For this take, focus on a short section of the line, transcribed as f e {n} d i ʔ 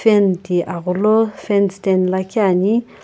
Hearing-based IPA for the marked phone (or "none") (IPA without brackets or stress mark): n